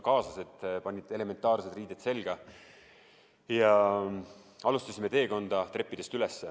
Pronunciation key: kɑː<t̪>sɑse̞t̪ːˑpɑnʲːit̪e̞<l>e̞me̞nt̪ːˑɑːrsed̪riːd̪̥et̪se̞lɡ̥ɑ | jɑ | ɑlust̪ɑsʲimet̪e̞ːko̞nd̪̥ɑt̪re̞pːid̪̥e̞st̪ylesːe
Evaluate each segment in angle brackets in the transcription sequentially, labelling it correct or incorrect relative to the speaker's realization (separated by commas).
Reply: incorrect, correct